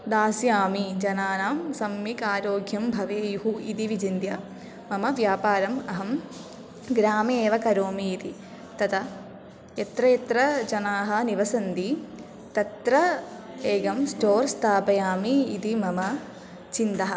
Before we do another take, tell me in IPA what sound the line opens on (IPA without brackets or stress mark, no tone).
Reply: d̪